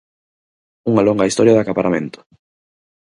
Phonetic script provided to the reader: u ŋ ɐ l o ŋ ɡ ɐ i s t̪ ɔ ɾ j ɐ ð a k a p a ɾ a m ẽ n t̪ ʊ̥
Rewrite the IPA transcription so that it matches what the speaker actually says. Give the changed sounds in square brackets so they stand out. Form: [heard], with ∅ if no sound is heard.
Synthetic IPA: u ŋ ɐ l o ŋ ɡ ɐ i s t̪ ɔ ɾ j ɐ ð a k a p a ɾ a m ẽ n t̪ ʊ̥